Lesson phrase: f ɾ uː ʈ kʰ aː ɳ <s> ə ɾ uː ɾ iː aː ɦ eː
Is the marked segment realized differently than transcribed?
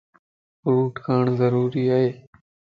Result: yes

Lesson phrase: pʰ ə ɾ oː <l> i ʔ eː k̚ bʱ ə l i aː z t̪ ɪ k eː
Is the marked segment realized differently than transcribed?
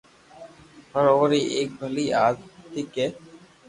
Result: yes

